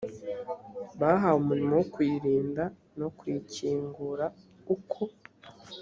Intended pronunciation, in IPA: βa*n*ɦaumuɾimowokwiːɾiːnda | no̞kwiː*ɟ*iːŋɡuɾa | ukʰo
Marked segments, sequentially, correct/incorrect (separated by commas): incorrect, incorrect